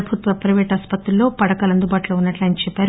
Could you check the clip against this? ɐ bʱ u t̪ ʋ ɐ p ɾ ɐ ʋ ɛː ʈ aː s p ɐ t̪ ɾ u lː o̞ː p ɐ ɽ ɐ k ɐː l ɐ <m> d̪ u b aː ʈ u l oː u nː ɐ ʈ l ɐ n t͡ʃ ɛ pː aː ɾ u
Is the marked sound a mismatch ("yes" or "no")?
yes